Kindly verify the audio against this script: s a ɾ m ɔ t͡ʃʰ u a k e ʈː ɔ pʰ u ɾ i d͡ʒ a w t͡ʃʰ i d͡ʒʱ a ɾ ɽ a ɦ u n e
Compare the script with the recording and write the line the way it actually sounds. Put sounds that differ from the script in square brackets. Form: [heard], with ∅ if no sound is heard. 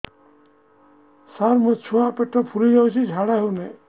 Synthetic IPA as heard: s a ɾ m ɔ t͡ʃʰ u a [p] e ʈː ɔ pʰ u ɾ i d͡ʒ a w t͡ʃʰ i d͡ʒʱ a [∅] ɽ a ɦ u n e

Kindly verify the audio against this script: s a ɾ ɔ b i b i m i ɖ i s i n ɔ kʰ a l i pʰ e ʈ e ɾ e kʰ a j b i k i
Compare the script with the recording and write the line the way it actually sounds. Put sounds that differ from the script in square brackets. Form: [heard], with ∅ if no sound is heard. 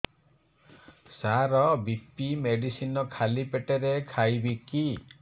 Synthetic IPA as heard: s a ɾ ɔ b i [p] i m [e] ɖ i s i n ɔ kʰ a l i [p] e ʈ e ɾ e kʰ a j b i k i

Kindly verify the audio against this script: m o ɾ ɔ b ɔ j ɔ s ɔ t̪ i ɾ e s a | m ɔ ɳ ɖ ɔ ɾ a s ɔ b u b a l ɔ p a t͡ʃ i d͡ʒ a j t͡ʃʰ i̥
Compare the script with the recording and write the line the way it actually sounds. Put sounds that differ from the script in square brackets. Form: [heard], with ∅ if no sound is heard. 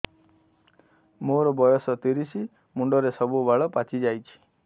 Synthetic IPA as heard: m o ɾ ɔ b ɔ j ɔ s ɔ t̪ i ɾ [i] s [i] | m [u] ɳ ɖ ɔ ɾ [e] s ɔ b u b a [ɭ] ɔ p a t͡ʃ i d͡ʒ a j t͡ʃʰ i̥

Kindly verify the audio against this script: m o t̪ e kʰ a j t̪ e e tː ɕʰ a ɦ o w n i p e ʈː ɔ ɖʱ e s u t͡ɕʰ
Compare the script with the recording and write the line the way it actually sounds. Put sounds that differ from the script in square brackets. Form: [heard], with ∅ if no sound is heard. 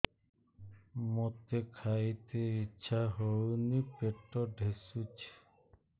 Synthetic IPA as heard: m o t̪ e kʰ a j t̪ e [i] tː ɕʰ a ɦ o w n i p e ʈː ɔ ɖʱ e s u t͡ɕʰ

